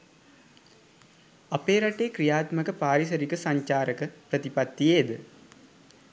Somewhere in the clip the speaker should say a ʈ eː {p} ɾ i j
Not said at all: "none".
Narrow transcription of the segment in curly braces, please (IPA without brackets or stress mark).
k